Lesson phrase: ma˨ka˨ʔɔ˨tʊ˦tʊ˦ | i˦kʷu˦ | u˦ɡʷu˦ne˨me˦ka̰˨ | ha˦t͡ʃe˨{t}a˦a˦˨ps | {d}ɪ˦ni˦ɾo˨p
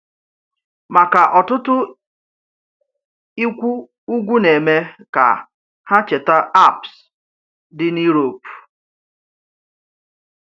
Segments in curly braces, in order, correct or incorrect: correct, correct

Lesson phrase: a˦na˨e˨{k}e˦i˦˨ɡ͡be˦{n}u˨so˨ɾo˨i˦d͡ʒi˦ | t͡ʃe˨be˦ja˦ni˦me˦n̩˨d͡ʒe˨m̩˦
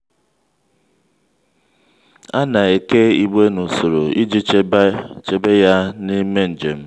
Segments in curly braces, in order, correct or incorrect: correct, correct

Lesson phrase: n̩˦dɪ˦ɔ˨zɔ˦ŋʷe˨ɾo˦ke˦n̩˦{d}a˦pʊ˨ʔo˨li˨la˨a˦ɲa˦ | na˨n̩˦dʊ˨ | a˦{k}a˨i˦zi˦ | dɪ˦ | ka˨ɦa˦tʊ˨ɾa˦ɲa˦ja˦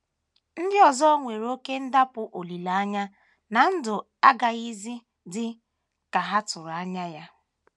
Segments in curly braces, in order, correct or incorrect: correct, incorrect

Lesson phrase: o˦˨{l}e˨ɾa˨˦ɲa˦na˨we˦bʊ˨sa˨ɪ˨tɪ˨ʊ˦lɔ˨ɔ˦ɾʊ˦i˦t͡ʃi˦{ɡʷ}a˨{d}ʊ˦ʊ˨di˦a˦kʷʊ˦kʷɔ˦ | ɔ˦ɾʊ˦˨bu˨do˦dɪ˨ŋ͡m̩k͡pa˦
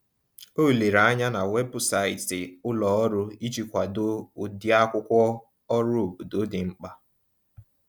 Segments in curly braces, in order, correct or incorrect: correct, incorrect, correct

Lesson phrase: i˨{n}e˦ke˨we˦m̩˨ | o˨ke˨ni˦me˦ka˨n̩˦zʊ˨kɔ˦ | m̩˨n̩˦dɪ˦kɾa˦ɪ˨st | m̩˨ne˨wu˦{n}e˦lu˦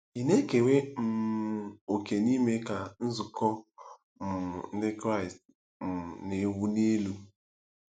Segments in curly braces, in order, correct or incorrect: correct, correct

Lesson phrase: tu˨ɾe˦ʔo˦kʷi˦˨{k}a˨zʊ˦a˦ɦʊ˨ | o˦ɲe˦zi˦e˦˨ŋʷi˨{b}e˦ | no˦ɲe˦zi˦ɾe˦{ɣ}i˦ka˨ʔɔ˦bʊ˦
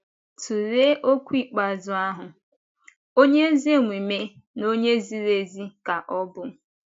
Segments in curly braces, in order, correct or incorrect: incorrect, incorrect, incorrect

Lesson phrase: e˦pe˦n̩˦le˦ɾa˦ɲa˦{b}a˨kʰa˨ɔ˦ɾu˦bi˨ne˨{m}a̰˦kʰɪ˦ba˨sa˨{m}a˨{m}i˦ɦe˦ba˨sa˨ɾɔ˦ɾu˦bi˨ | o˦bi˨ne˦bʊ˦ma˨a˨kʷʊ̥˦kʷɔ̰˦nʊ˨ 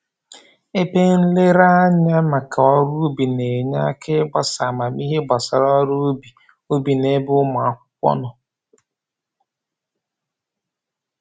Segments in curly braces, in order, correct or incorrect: incorrect, incorrect, correct, correct

